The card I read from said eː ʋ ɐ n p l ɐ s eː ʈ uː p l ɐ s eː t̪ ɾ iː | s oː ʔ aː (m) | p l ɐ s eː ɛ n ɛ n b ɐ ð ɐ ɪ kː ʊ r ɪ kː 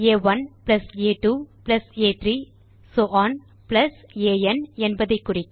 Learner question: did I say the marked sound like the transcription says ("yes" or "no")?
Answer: no